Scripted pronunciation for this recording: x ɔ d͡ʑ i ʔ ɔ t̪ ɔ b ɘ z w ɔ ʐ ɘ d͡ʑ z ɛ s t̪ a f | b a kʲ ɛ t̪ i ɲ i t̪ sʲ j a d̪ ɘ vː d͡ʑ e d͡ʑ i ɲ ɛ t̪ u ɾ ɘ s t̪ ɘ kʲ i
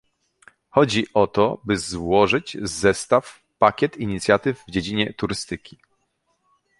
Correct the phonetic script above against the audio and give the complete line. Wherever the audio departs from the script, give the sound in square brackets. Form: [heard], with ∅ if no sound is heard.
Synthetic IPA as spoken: x ɔ d͡ʑ i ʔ ɔ t̪ ɔ b ɘ z w ɔ ʐ ɘ d͡ʑ z ɛ s t̪ a f | [p] a kʲ ɛ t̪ i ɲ i t̪ sʲ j a [t̪] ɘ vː d͡ʑ e d͡ʑ i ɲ ɛ t̪ u ɾ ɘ s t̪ ɘ kʲ i